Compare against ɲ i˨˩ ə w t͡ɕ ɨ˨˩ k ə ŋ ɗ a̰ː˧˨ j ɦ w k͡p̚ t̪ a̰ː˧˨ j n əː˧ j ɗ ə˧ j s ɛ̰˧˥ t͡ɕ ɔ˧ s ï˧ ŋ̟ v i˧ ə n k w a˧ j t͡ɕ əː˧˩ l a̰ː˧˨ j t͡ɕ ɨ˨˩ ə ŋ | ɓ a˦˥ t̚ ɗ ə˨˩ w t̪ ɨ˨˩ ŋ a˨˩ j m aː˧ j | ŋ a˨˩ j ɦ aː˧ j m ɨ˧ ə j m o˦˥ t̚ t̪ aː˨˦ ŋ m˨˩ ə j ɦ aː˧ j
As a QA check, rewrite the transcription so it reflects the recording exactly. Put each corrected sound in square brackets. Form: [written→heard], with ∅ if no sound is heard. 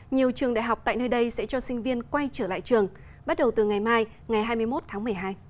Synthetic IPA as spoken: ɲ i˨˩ ə w t͡ɕ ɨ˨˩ [k→∅] ə ŋ ɗ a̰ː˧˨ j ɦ w k͡p̚ t̪ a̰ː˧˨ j n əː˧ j ɗ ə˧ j s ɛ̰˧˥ t͡ɕ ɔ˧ s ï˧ ŋ̟ v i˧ ə n k w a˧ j t͡ɕ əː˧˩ l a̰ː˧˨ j t͡ɕ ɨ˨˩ ə ŋ | ɓ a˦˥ t̚ ɗ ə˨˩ w t̪ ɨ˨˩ ŋ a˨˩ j m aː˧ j | ŋ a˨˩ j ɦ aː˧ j m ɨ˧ ə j m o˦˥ t̚ [t̪→t̪ʰ] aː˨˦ ŋ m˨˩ ə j ɦ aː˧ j